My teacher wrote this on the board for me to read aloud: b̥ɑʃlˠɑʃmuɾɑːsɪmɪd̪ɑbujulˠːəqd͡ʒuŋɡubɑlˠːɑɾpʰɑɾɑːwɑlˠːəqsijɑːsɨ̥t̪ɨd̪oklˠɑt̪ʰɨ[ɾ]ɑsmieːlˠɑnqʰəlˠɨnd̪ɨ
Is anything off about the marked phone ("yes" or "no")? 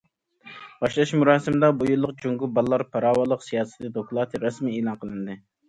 no